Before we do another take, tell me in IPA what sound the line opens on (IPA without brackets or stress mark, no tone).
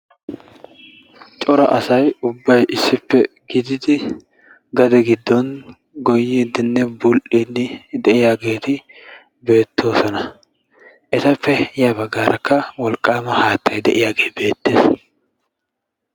t͡ʃʼ